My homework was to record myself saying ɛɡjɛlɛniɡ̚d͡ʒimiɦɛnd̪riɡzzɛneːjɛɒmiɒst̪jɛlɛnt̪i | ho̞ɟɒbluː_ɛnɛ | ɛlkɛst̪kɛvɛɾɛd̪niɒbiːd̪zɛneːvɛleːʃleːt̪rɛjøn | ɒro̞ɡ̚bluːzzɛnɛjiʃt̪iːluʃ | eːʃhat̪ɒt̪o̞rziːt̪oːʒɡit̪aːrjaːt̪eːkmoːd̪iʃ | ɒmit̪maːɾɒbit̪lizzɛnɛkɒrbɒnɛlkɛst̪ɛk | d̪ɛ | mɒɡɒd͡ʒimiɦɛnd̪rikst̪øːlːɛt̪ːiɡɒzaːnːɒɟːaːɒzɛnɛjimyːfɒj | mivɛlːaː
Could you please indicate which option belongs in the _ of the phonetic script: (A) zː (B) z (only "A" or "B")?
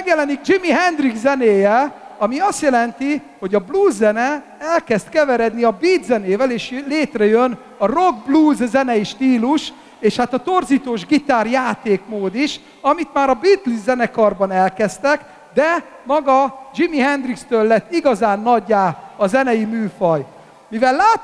A